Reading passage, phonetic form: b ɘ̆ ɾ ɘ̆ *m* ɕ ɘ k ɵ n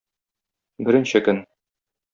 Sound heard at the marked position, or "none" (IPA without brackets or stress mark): n